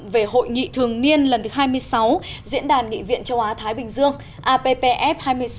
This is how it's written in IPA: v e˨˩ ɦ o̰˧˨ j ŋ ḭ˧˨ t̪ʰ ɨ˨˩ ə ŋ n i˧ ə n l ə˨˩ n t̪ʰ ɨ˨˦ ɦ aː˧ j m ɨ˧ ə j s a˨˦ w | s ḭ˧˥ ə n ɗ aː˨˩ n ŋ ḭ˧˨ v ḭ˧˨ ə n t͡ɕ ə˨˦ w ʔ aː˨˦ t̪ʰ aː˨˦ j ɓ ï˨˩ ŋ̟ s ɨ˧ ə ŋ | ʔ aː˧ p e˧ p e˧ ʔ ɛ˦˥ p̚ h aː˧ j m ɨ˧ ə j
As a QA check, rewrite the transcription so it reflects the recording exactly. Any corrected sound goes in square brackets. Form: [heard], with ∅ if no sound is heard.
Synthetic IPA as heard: v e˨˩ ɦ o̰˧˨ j ŋ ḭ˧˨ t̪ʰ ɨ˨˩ ə ŋ n i˧ ə n l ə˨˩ n [t̪] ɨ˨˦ ɦ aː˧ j m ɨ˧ ə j s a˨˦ w | [z] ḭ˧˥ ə n ɗ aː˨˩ n ŋ ḭ˧˨ v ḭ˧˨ ə n t͡ɕ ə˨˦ w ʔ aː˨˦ t̪ʰ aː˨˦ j ɓ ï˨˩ ŋ̟ [z] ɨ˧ ə ŋ | ʔ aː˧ p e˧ p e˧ ʔ ɛ˦˥ p̚ h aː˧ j m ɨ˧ ə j